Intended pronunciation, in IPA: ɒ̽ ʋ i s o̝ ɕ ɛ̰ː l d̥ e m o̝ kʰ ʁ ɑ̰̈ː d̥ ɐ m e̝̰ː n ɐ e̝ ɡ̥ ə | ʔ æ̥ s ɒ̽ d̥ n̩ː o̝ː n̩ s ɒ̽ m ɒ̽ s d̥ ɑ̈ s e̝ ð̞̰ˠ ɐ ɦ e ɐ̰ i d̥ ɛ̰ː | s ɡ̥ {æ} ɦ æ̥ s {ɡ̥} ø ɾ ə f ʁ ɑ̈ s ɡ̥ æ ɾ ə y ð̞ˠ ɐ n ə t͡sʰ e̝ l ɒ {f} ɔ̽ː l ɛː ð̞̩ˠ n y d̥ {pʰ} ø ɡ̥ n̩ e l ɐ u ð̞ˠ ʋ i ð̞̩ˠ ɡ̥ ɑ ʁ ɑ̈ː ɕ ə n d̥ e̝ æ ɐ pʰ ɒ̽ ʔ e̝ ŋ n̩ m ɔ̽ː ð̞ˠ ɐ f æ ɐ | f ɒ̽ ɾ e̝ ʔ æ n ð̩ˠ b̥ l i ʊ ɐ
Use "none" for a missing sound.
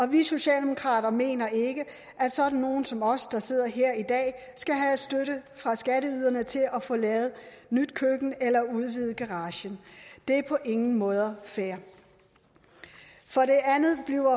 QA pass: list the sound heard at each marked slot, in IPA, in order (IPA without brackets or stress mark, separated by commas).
æ, d̥, f, kʰ